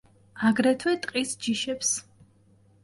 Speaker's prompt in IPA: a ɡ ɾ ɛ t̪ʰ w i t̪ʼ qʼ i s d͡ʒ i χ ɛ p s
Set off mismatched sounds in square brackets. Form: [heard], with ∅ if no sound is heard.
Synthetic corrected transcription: a ɡ ɾ ɛ t̪ʰ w [ɛ] t̪ʼ qʼ i s d͡ʒ i [ʃ] ɛ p s